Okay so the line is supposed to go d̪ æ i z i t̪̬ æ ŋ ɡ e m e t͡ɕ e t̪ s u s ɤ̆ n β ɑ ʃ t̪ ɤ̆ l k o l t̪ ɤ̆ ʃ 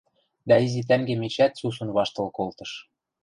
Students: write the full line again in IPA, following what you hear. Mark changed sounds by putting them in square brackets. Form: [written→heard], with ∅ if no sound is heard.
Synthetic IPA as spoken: d̪ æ i z i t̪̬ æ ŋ ɡ e m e t͡ɕ [e→æ] t̪ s u s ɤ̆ n β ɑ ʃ t̪ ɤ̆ l k o l t̪ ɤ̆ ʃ